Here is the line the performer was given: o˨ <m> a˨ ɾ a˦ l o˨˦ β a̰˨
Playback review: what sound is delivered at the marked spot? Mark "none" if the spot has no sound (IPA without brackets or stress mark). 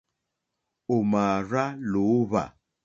m